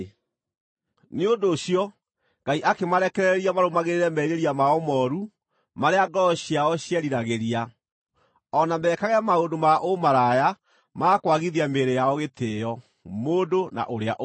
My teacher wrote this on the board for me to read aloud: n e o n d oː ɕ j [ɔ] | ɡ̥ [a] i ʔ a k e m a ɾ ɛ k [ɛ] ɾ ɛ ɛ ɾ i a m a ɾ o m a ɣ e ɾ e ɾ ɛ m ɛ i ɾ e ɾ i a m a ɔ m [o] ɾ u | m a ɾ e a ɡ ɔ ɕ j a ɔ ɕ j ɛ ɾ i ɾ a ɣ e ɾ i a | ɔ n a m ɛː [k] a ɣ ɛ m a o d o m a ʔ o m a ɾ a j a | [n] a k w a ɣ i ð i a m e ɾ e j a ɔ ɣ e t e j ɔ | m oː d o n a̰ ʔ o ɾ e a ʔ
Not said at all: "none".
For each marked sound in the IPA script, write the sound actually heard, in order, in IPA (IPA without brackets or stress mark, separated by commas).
ɔ, a, ɛ, ɔ, k, m